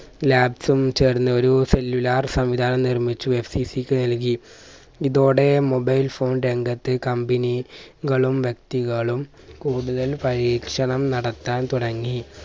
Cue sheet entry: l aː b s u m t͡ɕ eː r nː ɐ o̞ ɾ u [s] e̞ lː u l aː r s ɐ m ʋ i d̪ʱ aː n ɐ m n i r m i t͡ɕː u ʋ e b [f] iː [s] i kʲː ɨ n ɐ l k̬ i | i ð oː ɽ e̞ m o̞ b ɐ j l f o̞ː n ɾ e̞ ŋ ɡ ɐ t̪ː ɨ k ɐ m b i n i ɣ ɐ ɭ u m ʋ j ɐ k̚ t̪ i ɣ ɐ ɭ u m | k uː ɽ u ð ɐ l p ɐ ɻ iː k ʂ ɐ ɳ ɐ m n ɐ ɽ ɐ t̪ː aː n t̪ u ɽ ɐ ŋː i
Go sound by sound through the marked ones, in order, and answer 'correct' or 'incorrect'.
correct, incorrect: s, correct

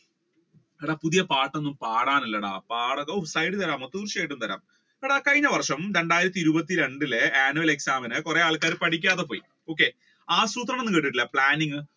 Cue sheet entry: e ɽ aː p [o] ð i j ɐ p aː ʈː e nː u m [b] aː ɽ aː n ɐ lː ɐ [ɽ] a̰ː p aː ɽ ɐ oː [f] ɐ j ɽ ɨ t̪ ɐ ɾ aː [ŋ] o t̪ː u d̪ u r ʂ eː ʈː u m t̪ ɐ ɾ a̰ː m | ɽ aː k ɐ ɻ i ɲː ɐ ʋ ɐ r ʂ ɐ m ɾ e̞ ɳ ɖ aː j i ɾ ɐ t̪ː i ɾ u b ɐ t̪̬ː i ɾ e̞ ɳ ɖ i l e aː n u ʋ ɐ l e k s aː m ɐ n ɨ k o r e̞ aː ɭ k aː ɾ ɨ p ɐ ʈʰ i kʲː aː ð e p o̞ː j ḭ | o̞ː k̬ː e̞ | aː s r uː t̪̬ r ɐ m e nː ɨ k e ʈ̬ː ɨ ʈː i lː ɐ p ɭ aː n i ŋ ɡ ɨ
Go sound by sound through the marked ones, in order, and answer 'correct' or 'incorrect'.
incorrect: u, incorrect: p, correct, incorrect: s, incorrect: m

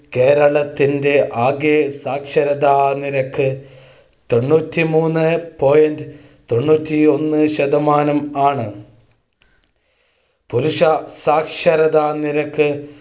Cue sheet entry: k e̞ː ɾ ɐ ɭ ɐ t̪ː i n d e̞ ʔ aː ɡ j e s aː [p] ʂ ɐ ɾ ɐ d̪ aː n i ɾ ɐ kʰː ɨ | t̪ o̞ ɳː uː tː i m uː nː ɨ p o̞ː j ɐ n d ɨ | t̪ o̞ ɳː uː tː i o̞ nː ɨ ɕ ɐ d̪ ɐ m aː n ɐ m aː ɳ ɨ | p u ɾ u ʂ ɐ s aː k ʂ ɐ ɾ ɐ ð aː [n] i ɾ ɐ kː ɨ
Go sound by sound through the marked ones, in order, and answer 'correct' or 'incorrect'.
incorrect: k, correct

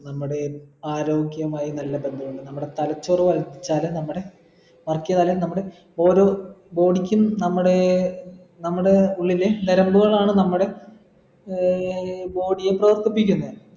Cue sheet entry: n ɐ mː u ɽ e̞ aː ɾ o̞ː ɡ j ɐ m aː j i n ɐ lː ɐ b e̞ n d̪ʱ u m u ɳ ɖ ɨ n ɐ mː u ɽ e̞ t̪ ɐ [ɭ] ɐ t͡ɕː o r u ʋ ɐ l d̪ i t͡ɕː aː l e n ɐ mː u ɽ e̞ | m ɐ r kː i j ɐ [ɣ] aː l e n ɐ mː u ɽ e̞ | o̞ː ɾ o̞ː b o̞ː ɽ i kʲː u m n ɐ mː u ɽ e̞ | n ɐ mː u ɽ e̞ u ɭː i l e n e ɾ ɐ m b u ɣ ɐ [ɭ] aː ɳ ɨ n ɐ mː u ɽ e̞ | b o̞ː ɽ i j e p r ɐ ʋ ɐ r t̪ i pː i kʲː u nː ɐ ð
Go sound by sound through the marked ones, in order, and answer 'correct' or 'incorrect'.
incorrect: l, incorrect: ð, correct

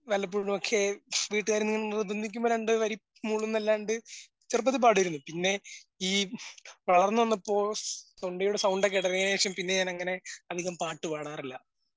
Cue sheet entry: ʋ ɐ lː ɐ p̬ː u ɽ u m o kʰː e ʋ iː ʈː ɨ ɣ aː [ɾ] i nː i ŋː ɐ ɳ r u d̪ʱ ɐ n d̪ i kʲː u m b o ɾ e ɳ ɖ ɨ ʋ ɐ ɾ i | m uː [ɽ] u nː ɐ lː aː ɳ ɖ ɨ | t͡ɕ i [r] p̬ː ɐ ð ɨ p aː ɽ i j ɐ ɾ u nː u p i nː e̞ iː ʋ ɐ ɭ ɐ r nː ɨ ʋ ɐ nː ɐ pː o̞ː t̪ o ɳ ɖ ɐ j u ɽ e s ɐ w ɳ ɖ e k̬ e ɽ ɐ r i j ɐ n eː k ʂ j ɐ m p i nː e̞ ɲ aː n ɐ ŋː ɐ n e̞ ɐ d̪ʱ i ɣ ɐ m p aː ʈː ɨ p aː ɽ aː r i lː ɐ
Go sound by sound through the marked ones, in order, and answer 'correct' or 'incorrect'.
correct, incorrect: ɭ, correct

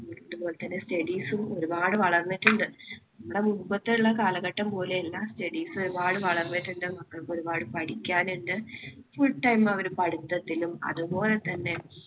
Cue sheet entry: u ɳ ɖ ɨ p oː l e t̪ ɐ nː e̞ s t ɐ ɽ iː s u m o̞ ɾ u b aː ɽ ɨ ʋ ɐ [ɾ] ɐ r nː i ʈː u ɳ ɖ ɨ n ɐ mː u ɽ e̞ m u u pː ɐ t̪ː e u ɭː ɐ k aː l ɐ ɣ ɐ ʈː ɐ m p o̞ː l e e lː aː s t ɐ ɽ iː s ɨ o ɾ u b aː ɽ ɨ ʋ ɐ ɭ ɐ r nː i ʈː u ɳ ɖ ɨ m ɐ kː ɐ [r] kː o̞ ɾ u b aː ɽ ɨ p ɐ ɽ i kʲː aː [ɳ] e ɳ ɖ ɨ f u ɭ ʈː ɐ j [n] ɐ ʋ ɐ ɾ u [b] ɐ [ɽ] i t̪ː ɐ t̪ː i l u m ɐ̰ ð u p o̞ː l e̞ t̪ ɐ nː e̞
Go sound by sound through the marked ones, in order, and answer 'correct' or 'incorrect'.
incorrect: ɭ, incorrect: ɭ, incorrect: n, incorrect: m, incorrect: p, correct

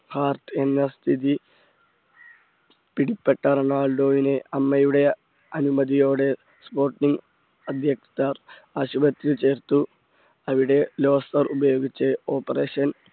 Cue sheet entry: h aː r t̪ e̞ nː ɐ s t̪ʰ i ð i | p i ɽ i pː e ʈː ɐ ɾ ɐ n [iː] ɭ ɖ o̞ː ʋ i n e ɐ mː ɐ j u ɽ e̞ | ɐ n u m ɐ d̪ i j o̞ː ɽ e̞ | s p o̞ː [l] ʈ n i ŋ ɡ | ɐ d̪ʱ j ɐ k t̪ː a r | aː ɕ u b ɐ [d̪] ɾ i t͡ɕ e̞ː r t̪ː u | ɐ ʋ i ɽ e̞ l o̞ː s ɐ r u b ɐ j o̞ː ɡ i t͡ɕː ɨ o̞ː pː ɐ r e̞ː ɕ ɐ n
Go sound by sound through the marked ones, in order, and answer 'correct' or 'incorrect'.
incorrect: aː, incorrect: r, incorrect: t̪

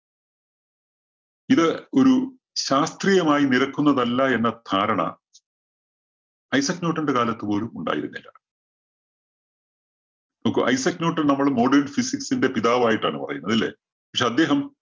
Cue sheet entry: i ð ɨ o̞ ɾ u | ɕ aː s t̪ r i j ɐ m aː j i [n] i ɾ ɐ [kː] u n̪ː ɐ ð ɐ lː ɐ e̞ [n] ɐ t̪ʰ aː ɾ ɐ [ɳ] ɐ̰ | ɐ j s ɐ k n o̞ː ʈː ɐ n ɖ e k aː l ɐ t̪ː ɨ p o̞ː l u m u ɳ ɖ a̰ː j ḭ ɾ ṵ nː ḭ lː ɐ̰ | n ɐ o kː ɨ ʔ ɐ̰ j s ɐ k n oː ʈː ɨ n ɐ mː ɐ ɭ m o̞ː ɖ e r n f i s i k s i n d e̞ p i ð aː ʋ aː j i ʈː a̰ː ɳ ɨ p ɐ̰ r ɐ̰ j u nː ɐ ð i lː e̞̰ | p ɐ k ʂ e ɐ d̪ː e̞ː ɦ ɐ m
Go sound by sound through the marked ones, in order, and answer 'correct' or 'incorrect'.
correct, correct, incorrect: nː, correct

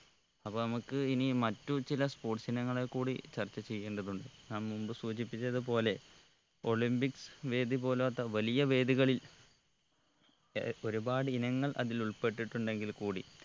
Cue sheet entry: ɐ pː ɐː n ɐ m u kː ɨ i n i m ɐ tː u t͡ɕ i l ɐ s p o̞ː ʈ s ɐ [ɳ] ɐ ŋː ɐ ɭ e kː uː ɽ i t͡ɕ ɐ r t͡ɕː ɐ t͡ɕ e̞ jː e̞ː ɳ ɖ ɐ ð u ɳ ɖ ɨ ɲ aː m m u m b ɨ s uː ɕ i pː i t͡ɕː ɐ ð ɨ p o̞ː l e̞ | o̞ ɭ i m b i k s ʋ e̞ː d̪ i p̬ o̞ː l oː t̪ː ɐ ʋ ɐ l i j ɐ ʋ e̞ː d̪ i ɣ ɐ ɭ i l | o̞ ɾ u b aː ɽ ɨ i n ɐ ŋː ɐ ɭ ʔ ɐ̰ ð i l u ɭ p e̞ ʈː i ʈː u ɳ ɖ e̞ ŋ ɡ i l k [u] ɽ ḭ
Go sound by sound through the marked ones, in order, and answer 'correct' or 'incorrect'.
incorrect: n, incorrect: uː

